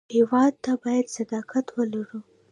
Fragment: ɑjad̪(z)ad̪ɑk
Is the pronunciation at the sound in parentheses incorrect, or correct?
incorrect